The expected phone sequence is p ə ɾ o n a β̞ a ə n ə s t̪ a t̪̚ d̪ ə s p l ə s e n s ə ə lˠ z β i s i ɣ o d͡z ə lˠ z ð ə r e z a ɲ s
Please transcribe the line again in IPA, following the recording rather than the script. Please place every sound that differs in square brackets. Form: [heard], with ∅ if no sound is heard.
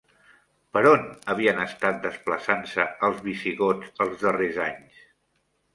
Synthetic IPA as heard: p ə ɾ o n [ə] β̞ [i] ə n ə s t̪ a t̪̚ d̪ ə s p l ə s [a] n s ə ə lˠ z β i s i ɣ o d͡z ə lˠ z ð ə r e z a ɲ s